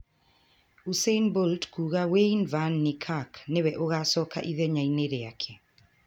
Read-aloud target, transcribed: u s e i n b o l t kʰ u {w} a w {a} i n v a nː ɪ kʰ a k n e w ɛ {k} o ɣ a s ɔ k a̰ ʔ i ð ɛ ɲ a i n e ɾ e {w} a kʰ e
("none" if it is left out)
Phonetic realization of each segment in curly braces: ɣ, e, ʔ, none

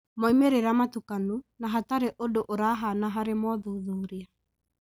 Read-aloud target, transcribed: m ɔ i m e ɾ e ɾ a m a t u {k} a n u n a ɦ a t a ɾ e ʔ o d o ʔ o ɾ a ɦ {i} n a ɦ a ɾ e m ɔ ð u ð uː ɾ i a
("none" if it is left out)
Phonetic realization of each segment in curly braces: k, a

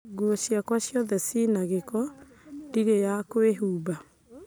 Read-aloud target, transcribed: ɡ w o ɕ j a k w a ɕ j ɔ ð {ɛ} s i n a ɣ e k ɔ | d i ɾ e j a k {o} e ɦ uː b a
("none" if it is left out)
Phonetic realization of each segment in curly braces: ɛ, o

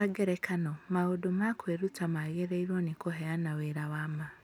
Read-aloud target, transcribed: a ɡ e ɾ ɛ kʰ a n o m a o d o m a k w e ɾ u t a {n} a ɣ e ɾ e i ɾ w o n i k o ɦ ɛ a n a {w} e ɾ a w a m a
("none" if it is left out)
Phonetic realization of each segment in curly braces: m, w

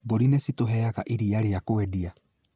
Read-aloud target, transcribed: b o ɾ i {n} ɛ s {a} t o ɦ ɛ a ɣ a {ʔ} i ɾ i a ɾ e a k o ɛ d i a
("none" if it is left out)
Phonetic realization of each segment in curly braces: n, i, ʔ

